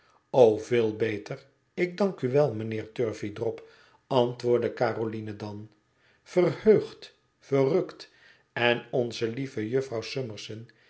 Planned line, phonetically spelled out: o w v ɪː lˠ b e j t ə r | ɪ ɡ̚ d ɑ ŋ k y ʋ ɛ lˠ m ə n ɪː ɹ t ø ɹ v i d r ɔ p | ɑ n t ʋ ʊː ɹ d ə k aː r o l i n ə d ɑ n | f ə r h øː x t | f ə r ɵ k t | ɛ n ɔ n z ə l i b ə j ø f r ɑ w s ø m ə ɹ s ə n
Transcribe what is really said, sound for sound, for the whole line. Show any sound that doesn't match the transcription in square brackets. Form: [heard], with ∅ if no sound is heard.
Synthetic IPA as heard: o w v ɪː lˠ b e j t ə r | ɪ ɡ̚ d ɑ ŋ k y ʋ ɛ lˠ m ə n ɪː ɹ t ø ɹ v i d r ɔ p | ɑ n t ʋ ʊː ɹ d ə k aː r o l i n ə d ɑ n | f ə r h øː [χ] t | f ə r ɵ k t | ɛ n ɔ n z ə l i [v] ə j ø f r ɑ w s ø m ə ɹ s ə n